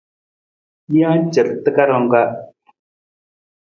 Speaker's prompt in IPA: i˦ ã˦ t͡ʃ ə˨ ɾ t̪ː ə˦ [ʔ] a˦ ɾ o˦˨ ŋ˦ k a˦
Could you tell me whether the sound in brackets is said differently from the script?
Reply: yes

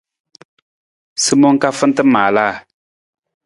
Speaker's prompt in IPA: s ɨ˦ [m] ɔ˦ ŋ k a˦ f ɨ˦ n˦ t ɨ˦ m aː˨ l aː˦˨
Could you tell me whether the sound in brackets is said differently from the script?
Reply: no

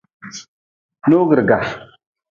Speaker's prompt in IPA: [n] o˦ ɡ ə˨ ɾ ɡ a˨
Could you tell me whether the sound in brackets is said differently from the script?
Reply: no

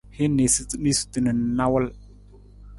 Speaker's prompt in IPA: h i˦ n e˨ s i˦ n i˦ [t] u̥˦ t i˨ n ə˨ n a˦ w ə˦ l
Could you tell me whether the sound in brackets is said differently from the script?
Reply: yes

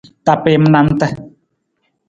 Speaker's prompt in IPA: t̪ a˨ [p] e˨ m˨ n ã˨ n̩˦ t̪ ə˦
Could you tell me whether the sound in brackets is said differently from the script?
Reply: no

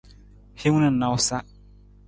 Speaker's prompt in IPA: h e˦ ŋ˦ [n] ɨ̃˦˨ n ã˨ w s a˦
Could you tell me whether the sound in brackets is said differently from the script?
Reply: no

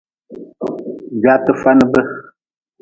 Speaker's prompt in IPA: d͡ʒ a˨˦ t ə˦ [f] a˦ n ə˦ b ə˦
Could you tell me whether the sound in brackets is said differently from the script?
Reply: no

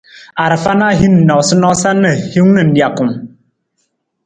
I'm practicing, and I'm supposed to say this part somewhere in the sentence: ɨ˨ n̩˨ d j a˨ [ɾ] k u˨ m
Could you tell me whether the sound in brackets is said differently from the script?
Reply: yes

